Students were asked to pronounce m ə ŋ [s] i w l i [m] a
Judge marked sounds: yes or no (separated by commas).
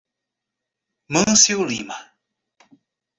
yes, yes